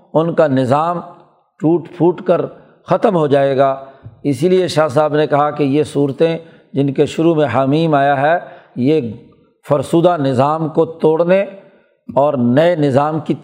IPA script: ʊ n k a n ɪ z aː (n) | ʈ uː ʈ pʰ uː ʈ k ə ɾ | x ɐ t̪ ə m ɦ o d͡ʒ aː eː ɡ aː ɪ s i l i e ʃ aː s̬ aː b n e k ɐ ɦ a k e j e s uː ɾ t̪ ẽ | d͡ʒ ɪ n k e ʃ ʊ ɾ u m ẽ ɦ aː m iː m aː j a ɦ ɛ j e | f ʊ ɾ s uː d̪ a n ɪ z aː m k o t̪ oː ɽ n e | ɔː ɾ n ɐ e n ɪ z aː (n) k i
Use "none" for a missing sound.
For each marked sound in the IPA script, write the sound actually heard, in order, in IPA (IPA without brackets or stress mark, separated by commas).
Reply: m, m